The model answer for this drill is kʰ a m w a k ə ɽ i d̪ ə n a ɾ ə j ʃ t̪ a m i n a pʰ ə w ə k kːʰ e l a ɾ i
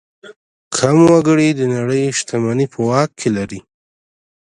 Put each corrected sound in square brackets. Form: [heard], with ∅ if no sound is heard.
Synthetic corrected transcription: kʰ a m w a [ɡ] ə ɽ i d̪ ə n a [ɽ] ə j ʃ t̪ a m [a] n [i] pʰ ə w [ɑ] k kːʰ e l a ɾ i